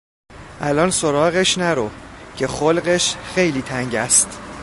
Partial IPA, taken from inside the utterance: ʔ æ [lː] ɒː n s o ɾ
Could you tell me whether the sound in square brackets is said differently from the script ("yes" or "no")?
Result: yes